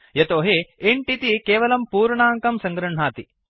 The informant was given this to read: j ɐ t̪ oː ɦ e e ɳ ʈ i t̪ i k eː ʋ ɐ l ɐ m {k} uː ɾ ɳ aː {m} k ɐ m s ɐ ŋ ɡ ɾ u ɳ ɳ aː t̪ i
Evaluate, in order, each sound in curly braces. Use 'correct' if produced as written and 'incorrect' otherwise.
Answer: incorrect: p, incorrect: ŋ

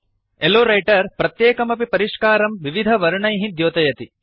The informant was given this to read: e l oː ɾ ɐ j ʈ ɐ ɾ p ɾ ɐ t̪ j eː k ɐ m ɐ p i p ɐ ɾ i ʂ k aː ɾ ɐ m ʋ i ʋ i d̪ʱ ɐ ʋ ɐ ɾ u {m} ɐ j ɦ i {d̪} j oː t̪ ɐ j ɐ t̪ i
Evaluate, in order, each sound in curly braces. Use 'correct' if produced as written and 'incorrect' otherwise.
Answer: incorrect: ɳ, correct

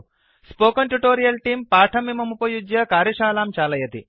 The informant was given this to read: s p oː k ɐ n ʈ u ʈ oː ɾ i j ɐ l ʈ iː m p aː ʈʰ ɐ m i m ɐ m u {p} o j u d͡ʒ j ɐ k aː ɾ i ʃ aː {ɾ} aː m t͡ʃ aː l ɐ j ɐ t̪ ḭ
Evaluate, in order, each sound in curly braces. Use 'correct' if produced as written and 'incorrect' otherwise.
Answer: correct, incorrect: l

